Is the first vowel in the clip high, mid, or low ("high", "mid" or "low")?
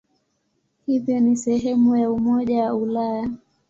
high